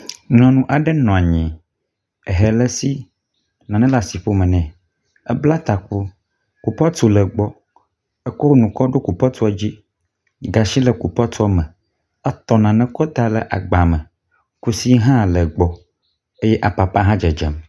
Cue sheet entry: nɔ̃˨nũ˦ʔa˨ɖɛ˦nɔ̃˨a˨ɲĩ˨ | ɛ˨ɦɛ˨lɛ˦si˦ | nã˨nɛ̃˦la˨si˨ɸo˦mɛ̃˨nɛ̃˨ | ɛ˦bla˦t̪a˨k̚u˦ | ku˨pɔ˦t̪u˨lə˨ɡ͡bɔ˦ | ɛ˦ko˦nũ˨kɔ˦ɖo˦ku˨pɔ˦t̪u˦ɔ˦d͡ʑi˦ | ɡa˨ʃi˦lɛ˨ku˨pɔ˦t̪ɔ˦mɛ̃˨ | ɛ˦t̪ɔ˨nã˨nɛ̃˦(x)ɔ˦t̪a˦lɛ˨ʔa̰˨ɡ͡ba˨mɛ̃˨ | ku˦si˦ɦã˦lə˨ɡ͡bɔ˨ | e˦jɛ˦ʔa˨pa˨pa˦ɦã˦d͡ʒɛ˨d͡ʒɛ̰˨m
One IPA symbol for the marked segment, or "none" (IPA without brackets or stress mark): k